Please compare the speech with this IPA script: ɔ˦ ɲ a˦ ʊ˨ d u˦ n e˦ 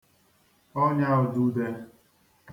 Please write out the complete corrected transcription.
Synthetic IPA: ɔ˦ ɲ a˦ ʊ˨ d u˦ d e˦